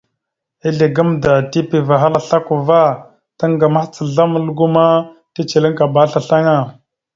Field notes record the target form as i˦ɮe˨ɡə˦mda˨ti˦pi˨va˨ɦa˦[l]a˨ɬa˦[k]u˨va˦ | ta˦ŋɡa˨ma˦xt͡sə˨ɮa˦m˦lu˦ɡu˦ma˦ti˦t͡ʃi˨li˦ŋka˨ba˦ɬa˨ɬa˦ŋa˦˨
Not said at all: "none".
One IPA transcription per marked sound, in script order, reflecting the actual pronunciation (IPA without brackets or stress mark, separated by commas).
l, k